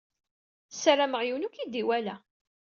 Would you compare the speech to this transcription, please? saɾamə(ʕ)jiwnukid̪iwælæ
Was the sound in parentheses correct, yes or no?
no